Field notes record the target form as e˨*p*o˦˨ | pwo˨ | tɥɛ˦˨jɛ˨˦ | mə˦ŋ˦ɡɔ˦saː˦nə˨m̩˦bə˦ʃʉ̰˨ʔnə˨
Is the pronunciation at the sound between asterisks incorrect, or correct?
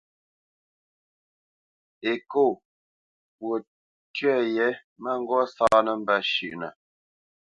incorrect